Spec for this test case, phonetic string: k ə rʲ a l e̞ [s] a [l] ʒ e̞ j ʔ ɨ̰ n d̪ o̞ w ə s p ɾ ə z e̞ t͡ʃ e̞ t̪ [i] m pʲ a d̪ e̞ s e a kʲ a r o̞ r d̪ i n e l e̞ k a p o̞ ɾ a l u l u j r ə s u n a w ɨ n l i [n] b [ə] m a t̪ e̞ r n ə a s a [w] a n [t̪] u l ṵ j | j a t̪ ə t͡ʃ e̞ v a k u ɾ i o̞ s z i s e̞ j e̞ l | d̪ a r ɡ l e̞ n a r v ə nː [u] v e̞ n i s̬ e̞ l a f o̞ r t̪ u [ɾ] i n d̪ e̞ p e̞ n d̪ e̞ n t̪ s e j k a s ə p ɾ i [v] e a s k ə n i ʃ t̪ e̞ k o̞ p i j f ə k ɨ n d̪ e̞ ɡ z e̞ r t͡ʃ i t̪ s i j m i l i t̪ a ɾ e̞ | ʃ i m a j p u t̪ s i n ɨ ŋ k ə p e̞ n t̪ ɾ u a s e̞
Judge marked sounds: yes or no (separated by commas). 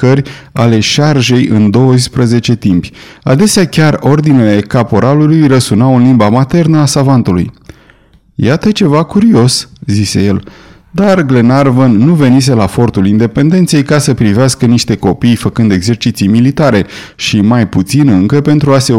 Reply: no, no, yes, no, no, no, yes, yes, no, yes